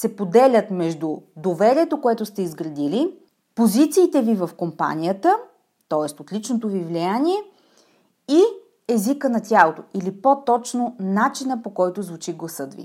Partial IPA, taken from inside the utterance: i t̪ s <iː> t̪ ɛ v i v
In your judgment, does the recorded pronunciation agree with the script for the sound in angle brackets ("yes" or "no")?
yes